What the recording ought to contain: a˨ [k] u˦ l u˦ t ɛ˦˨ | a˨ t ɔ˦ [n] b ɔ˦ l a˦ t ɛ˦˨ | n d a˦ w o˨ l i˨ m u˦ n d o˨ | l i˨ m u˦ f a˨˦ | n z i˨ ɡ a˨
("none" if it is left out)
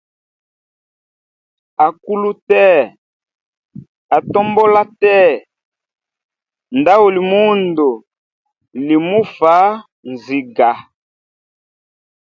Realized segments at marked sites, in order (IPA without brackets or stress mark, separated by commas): k, m